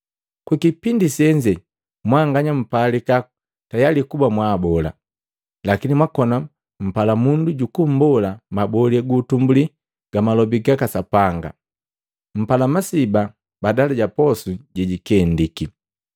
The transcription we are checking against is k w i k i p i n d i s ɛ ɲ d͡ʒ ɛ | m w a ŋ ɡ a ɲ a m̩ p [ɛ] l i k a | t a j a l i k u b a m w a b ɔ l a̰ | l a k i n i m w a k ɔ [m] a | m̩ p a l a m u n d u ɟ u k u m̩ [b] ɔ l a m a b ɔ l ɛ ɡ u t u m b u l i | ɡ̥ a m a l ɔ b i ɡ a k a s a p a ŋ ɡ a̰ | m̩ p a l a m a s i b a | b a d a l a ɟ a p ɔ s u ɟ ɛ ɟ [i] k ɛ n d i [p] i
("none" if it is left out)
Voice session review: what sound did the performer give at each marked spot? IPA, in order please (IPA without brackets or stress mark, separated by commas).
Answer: a, n, b, i, k